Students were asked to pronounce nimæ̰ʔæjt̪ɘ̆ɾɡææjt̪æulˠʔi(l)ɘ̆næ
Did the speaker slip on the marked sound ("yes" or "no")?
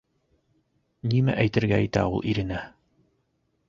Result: yes